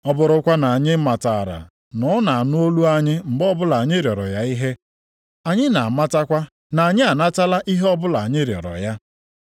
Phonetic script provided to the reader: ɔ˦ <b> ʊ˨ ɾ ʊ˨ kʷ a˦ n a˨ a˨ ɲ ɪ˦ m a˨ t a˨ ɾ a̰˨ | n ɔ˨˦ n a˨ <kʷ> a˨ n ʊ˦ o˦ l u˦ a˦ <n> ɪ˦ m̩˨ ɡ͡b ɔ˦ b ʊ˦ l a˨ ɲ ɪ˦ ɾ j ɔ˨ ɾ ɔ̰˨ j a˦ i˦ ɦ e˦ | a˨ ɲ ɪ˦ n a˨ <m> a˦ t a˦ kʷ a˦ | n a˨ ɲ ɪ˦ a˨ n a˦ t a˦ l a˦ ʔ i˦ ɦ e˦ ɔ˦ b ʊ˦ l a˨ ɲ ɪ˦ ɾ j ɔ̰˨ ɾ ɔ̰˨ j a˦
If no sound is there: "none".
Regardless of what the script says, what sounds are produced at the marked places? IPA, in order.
b, none, ɲ, m

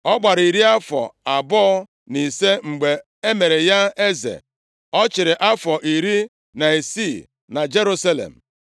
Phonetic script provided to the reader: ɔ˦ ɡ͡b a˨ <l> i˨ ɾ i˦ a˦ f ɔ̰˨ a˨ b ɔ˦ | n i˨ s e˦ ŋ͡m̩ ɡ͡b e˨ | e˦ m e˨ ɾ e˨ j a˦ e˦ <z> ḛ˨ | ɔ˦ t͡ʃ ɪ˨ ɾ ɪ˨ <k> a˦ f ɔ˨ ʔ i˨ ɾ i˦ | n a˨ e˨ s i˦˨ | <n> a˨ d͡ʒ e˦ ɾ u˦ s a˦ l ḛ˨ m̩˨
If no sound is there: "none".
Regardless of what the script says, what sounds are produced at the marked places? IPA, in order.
ɾ, z, ʔ, n

